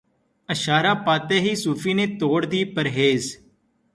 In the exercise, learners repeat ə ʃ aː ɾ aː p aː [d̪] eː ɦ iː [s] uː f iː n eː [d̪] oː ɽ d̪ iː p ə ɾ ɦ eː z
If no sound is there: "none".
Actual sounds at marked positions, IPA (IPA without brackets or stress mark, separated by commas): t̪, s, t̪